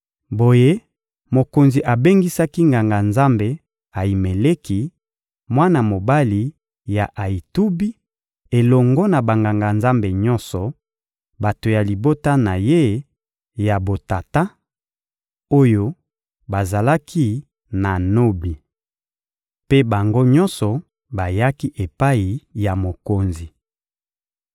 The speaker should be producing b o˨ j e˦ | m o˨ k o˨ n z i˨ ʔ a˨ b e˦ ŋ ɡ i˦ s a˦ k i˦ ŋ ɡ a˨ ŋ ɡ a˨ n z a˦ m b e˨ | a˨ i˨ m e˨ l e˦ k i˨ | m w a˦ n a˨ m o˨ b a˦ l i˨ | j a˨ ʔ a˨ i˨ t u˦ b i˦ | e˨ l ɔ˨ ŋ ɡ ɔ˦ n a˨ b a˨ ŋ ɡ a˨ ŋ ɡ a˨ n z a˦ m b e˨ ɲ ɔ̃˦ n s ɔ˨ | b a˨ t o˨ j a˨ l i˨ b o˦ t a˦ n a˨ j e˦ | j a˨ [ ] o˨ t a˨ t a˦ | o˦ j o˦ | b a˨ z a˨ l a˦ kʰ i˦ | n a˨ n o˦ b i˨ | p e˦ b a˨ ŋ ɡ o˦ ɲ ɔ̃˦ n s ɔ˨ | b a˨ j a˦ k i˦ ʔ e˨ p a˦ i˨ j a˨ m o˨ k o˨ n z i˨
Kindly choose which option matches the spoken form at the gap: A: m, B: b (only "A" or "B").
B